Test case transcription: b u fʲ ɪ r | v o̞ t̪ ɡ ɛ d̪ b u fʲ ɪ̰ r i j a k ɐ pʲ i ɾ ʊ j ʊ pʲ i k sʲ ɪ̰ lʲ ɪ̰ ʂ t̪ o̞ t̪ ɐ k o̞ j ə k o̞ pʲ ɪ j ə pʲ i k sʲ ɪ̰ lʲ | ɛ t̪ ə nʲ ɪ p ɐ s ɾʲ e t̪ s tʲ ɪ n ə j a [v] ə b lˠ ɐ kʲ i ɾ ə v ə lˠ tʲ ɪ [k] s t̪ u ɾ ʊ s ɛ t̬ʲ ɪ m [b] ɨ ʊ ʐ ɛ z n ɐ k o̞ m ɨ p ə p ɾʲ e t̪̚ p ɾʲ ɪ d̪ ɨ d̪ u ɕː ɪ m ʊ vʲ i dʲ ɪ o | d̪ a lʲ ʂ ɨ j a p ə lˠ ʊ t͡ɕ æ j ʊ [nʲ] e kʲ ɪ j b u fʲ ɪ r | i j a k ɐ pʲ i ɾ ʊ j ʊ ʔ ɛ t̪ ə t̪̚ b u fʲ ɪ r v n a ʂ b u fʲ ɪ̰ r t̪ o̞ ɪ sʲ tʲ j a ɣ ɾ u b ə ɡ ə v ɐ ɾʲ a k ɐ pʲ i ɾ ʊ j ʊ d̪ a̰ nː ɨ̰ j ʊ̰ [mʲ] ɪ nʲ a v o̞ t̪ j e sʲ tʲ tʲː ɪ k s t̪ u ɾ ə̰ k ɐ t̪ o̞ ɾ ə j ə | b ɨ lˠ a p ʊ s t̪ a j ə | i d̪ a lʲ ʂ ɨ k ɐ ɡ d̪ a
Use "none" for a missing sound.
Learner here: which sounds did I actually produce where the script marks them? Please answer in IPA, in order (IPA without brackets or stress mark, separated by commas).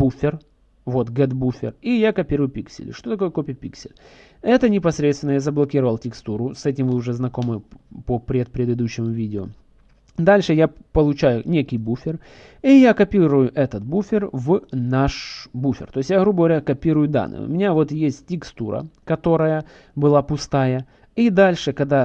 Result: z, k, v, nʲ, mʲ